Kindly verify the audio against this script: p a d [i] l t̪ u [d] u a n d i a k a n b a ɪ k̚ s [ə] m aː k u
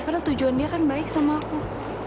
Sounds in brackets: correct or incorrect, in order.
incorrect: a, incorrect: d͡ʒ, incorrect: a

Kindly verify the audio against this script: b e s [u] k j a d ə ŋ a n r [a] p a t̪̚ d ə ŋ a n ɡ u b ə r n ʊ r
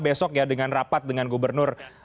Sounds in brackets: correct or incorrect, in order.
incorrect: ɔ, correct

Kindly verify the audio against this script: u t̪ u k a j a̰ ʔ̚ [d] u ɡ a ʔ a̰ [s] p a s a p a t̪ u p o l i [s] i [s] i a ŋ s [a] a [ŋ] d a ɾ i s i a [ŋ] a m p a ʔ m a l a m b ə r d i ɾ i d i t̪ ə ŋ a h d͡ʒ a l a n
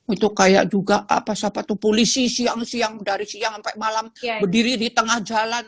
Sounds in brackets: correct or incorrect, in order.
incorrect: d͡ʒ, incorrect: none, correct, correct, incorrect: i, correct, correct

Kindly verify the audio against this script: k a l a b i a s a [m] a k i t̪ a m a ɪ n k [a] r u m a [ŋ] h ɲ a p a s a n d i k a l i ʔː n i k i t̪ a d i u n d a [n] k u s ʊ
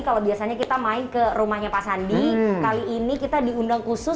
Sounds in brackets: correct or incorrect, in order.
incorrect: ɲ, incorrect: ə, incorrect: none, incorrect: ŋ

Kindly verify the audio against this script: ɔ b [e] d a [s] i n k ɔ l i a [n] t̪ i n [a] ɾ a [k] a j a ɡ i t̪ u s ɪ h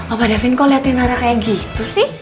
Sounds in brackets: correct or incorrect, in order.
incorrect: a, incorrect: f, incorrect: none, correct, correct

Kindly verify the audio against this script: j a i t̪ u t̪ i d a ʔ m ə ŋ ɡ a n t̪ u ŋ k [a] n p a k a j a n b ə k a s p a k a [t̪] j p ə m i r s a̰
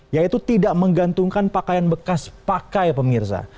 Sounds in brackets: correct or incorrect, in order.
correct, incorrect: none

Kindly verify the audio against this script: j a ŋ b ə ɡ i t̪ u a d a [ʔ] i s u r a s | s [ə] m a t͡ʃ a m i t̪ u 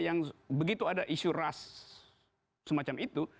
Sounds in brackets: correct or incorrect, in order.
correct, correct

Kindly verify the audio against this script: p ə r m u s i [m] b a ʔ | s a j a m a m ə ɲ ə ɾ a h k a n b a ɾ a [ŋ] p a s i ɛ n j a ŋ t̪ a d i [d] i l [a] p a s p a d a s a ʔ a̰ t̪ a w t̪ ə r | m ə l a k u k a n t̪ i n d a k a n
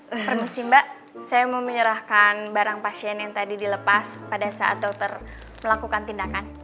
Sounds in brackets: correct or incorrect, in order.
correct, correct, correct, incorrect: ə

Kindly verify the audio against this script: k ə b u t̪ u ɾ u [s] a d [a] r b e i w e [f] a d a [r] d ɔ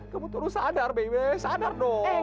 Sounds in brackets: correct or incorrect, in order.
correct, correct, incorrect: s, correct

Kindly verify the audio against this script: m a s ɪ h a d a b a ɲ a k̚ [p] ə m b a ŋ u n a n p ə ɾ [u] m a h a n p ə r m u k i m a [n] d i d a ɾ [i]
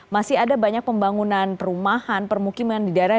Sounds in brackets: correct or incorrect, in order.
correct, correct, correct, incorrect: a

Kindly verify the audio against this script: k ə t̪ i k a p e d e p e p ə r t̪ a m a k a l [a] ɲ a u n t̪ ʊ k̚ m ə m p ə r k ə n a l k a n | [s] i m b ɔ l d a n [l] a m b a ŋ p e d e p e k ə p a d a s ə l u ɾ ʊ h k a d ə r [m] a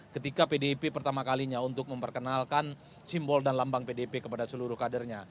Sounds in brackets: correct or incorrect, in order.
incorrect: i, correct, correct, incorrect: ɲ

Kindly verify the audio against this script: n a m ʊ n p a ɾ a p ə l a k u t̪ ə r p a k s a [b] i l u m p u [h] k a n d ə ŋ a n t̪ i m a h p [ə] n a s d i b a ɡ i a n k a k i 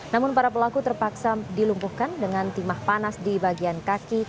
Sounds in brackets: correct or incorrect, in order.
incorrect: d, correct, incorrect: a

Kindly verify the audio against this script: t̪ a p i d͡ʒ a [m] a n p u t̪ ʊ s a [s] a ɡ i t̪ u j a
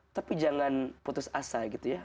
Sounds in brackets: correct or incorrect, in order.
incorrect: ŋ, correct

